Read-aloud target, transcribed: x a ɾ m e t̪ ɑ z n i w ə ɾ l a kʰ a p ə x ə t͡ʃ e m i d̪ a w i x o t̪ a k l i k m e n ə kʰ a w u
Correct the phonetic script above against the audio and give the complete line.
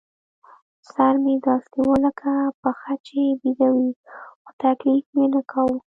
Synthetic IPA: s a ɾ m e d̪ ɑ s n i w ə l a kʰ a p ə x a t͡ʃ e b i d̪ a w i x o t̪ a k l i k m e n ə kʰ a w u